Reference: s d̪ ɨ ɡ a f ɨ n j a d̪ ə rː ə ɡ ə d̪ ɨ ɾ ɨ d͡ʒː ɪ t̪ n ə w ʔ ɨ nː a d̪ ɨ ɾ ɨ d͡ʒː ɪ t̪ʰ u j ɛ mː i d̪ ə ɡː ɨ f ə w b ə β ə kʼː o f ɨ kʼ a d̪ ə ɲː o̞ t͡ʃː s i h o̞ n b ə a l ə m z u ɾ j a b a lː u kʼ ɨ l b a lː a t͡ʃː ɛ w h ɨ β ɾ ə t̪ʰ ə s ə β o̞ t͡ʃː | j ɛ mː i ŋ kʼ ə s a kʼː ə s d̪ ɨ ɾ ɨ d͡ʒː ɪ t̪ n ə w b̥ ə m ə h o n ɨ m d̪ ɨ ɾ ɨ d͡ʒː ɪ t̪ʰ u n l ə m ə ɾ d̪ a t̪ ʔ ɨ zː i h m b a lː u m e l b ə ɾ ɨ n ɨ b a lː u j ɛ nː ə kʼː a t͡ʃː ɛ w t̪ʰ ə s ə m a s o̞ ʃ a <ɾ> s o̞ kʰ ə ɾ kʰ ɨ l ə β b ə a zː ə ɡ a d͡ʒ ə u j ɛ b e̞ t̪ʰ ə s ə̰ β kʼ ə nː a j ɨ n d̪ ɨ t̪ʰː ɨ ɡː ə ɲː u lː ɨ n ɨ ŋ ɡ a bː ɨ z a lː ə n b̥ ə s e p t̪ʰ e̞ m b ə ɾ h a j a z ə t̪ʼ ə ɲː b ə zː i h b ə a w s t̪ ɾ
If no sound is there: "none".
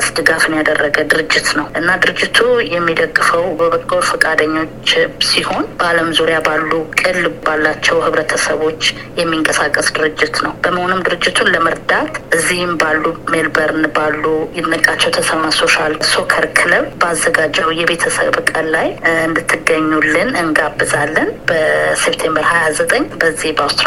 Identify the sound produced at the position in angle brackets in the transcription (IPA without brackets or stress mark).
l